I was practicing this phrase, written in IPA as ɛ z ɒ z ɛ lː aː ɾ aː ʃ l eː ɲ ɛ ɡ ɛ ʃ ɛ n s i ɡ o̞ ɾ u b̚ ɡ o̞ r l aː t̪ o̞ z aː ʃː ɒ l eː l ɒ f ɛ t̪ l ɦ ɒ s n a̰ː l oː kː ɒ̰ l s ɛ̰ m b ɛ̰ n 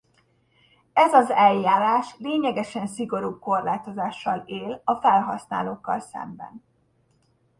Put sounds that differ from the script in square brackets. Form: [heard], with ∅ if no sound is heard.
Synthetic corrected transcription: ɛ z ɒ z ɛ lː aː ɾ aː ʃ l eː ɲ ɛ ɡ ɛ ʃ ɛ n s i ɡ o̞ ɾ u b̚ [k] o̞ r l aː t̪ o̞ z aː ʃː ɒ l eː l ɒ f ɛ [∅] l ɦ ɒ s n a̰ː l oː kː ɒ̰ l s ɛ̰ m b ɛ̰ n